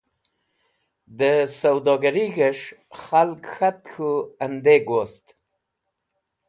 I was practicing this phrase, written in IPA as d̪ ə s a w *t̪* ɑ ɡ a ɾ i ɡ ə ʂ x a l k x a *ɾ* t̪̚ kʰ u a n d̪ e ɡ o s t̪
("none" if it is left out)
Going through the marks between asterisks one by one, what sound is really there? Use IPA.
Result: d̪, none

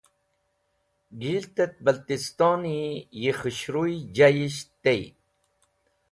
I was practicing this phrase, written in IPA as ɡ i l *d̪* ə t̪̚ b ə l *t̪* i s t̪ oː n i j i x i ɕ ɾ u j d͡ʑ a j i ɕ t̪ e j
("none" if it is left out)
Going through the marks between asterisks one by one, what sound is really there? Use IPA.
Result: t̪, t̪

